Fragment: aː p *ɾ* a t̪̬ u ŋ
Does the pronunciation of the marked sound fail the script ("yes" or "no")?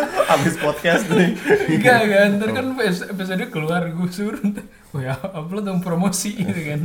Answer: yes